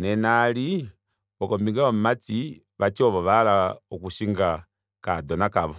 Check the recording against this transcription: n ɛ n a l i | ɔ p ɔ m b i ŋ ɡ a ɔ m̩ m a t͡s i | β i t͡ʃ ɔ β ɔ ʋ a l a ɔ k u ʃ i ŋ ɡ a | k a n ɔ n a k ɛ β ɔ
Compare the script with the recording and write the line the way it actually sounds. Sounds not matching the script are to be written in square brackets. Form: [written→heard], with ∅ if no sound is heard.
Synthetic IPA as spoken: n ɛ n a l i | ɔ [p→k] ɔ m b i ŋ ɡ a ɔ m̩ m a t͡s i | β [i→a] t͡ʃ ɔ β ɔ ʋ a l a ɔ k u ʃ i ŋ ɡ a | k a [n→d] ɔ n a k [ɛ→a] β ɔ